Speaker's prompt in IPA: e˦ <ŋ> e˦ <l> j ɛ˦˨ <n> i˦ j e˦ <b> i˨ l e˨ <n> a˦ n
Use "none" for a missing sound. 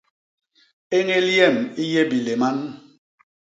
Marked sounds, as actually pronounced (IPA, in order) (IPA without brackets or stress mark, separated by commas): ŋ, l, m, b, m